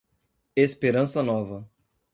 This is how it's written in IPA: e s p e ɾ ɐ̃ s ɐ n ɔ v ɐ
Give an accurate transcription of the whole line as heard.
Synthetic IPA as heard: e s p e ɾ ɐ̃ s ɐ n ɔ v ɐ